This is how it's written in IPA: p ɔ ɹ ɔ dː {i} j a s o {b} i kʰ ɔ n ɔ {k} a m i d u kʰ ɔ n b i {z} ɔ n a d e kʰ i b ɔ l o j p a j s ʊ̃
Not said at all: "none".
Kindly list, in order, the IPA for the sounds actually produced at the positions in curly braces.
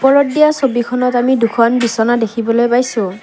i, b, t, s

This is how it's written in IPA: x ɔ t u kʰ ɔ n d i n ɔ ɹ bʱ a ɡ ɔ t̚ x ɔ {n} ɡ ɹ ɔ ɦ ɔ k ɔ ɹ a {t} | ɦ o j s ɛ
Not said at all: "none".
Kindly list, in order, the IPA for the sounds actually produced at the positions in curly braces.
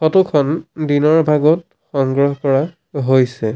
ŋ, none

